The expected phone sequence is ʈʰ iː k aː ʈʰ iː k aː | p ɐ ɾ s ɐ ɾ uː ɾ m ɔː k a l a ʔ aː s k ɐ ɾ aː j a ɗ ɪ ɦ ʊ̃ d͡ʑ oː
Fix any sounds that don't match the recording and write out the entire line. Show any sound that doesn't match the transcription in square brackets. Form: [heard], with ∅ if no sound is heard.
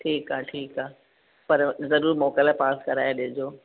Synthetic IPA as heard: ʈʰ iː k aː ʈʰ iː k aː | p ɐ ɾ [z] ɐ ɾ uː ɾ m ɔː k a l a [p] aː s k ɐ ɾ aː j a ɗ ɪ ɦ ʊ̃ d͡ʑ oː